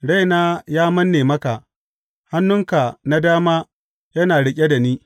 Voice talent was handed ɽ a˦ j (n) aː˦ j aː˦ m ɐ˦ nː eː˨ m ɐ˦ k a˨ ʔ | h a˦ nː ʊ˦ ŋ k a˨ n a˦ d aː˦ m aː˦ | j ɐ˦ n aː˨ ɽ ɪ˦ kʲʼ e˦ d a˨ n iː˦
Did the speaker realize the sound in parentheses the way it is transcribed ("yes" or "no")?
yes